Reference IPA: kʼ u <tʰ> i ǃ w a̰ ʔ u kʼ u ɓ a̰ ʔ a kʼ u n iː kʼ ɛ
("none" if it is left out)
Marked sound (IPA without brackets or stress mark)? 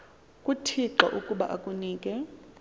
tʰ